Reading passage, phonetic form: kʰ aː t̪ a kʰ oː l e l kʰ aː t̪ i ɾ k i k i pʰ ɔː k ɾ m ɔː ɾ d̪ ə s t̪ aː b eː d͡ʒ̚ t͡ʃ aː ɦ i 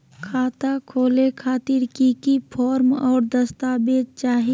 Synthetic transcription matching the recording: kʰ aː t̪ a kʰ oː l e kʰ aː t̪ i ɾ k i k i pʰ ɔː ɾ m ɔː ɾ d̪ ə s t̪ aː b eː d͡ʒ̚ t͡ʃ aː ɦ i

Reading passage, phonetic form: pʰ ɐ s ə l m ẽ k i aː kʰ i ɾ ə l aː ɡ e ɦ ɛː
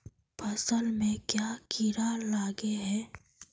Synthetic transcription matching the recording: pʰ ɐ s ə l m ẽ k j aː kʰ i ɾ a l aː ɡ e ɦ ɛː

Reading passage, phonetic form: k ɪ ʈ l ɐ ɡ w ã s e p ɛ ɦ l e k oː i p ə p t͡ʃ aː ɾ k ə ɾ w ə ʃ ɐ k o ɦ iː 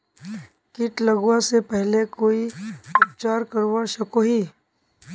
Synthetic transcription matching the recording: k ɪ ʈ l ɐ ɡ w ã s e p ɛ ɦ l e k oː i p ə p t͡ʃ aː ɾ k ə ɾ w a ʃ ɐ k o ɦ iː

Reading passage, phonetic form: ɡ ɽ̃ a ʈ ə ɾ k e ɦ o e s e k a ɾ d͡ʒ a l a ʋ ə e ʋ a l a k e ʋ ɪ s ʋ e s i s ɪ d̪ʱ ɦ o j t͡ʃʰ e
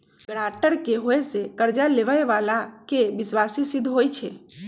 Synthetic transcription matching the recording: ɡ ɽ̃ a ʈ ə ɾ k e ɦ o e s e k ə ɾ d͡ʒ a l e ʋ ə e ʋ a l a k e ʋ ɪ s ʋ a s i s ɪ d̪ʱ ɦ o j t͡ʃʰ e

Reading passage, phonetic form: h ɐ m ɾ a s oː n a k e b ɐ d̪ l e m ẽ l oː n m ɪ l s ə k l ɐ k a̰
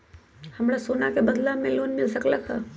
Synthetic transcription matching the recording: h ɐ m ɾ a s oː n a k e b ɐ d̪ l a m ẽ l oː n m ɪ l s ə k l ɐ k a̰

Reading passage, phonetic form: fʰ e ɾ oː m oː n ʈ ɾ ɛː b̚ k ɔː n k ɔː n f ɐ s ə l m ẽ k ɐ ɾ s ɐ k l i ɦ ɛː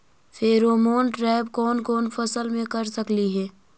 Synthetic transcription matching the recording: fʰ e ɾ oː m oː n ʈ ɾ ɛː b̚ k ɔː n k ɔː n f ɐ s ə l m ẽ k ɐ ɾ s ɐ k l i ɦ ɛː

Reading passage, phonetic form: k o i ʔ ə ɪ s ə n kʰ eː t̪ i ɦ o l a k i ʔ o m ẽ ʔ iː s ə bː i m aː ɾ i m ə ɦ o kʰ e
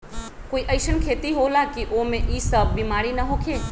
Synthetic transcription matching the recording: k o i ʔ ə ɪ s ə n kʰ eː t̪ i ɦ o l a k i ʔ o m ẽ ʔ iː s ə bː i m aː ɾ i n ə ɦ o kʰ e

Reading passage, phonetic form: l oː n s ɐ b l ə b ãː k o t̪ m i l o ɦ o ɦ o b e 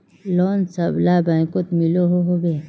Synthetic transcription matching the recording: l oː n s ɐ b l a b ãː k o t̪ m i l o ɦ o ɦ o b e

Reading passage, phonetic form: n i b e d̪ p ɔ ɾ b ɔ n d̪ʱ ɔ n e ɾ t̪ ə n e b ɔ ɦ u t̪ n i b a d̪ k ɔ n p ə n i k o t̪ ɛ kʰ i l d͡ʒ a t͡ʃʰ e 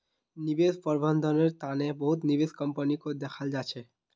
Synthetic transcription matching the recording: n i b e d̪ p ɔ ɾ b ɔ n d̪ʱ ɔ n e ɾ t̪ a n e b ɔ ɦ u t̪ n i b e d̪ k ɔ m p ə n i k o d̪ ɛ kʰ a l d͡ʒ a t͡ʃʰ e

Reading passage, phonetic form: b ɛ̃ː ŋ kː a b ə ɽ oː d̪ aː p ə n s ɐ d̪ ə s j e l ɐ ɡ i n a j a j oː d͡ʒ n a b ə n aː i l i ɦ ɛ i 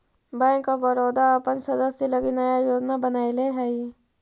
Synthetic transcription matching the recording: b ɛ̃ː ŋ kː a b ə ɾ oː d̪ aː p ə n s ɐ d̪ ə s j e l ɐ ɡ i n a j a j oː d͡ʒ n a b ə n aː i l e ɦ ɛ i

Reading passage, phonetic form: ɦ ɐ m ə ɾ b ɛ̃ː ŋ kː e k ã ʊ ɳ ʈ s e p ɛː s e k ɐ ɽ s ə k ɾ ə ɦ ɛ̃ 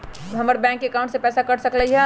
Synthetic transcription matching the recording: ɦ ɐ m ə ɾ b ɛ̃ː ŋ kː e k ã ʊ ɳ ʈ s e p ɛː s a k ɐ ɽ s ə k l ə ɦ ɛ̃

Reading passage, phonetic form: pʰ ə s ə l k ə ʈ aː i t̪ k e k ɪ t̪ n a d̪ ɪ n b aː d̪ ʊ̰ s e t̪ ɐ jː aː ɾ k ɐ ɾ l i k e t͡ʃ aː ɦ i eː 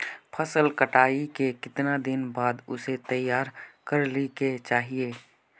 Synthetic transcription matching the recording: pʰ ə s ə l k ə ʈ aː i k e k ɪ t̪ n a d̪ ɪ n b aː d̪ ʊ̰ s e t̪ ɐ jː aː ɾ k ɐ ɾ l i k e t͡ʃ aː ɦ i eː

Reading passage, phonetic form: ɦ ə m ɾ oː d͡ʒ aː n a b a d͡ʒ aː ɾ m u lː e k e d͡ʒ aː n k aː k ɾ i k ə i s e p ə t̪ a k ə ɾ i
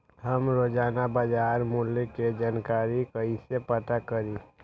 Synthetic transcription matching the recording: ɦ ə m ɾ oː d͡ʒ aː n a b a d͡ʒ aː ɾ m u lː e k e d͡ʒ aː n k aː ɾ i k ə i s e p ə t̪ a k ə ɾ i

